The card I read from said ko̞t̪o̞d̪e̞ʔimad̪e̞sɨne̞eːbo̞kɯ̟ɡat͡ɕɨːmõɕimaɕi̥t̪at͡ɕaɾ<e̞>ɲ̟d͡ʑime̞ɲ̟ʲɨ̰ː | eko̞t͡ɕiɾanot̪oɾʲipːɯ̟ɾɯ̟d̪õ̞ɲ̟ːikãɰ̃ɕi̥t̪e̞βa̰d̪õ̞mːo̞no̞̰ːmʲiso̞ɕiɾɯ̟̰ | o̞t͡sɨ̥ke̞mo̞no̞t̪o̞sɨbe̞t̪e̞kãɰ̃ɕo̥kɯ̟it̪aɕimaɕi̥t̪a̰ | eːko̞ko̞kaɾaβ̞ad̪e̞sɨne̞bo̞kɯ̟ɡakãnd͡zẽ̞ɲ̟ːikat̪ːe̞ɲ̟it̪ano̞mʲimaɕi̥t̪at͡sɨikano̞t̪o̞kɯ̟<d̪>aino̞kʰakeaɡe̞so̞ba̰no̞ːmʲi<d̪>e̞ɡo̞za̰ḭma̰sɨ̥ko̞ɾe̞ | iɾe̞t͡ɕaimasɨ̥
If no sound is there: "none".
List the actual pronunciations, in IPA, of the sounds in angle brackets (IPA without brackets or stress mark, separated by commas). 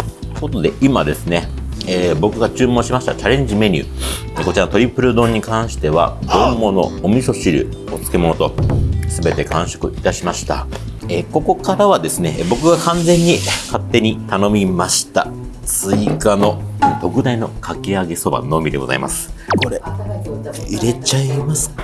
ẽ̞, d̪, d̪